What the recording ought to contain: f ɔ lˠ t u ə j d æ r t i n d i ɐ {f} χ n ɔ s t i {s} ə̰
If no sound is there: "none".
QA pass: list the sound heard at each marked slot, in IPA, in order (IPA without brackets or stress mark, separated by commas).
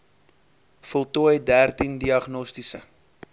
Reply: none, s